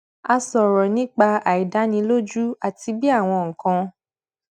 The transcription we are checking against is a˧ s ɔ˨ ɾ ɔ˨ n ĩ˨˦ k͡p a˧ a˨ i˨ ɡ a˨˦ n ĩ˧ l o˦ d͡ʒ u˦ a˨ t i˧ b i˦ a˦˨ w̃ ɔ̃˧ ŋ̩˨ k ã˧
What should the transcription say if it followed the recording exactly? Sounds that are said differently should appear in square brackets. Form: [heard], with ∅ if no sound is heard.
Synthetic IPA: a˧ s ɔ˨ ɾ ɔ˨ n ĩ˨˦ k͡p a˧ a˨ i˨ [d] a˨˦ n ĩ˧ l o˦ d͡ʒ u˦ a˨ t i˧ b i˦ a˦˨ w̃ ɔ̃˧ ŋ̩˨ k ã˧